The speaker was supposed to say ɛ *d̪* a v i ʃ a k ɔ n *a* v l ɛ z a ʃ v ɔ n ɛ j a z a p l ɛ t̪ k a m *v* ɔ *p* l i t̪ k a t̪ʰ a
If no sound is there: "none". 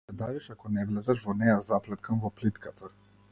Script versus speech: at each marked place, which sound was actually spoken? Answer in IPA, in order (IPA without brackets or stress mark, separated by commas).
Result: d̪, ɛ, v, p